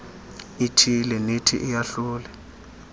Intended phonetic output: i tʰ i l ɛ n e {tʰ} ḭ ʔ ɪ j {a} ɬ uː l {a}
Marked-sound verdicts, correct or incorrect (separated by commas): correct, correct, incorrect